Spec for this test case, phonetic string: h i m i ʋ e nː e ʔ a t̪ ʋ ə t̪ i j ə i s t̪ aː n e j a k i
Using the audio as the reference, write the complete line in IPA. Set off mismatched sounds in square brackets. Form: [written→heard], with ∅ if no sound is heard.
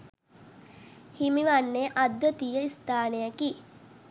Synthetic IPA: h i m i ʋ [e→a] nː e ʔ a [t̪→d̪] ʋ ə t̪ i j ə i s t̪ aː n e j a k i